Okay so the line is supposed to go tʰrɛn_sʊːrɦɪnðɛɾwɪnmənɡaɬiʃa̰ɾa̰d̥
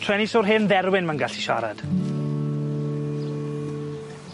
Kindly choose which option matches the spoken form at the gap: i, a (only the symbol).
i